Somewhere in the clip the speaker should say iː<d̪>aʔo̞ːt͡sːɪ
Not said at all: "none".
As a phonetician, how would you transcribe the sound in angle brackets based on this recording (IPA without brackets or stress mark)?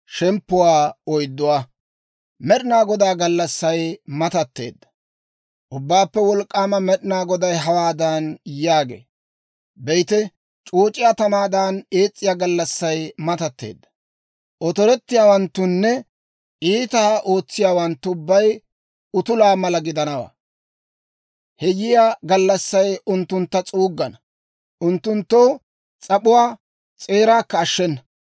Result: t̪